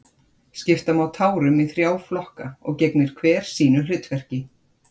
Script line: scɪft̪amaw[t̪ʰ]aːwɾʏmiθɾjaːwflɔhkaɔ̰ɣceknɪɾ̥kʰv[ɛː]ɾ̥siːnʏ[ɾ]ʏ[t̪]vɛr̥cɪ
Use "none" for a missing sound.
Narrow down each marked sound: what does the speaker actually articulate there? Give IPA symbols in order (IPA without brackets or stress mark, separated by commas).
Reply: t̪ʰ, ɛː, l, t̪